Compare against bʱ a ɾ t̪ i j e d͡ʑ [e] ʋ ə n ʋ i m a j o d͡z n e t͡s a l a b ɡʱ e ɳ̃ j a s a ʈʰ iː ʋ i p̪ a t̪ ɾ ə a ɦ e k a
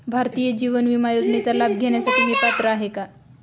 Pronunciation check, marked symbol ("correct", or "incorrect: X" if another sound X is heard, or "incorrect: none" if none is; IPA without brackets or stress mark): incorrect: i